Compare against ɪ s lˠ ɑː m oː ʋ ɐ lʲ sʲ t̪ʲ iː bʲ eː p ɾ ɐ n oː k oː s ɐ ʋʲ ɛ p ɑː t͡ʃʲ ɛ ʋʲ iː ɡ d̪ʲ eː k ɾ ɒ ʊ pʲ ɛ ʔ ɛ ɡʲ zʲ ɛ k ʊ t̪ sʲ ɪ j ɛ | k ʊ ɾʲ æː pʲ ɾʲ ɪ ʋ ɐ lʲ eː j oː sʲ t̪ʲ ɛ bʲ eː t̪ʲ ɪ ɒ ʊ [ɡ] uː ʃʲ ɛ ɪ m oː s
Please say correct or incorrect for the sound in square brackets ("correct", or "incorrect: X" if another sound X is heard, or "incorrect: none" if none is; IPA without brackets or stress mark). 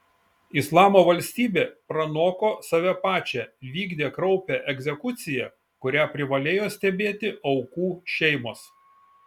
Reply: incorrect: k